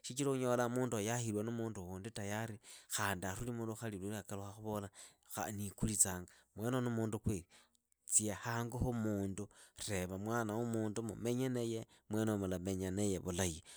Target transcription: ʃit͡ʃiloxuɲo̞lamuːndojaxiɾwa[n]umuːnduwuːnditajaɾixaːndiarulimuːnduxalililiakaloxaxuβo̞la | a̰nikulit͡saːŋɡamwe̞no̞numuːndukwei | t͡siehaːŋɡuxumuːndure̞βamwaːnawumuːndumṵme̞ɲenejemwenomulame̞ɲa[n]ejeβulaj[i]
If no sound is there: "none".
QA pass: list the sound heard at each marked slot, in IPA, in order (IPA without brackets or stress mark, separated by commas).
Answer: n, n, i